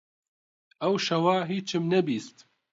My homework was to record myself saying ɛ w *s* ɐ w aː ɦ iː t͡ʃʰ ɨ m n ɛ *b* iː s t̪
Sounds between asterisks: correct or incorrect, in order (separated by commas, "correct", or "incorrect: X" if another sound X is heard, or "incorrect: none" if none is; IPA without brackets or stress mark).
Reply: incorrect: ʃ, correct